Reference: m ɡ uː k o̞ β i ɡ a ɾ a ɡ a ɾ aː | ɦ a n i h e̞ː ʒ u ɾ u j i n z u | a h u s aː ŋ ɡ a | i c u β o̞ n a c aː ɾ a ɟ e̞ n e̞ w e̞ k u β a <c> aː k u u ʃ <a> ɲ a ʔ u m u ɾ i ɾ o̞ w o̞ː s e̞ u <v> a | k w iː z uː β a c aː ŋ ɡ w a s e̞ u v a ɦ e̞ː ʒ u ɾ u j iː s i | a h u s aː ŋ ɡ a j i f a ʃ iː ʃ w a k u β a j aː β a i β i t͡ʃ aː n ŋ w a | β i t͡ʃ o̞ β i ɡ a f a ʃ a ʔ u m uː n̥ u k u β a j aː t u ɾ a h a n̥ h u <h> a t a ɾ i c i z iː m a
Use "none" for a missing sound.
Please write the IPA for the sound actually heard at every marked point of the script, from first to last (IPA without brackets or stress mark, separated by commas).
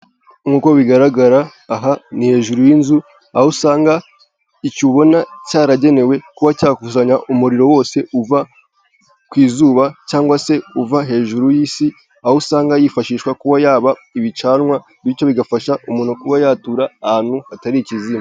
c, a, v, h